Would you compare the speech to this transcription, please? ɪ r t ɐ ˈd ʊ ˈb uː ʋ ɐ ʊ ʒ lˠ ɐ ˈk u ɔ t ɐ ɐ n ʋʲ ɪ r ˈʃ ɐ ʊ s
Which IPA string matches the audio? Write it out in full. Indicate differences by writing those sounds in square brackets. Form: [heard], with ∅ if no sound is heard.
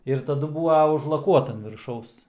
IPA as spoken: ɪ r t ɐ ˈd ʊ ˈb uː ʋ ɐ ʊ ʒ lˠ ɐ ˈk u ɔ t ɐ ɐ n ʋʲ ɪ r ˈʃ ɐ ʊ s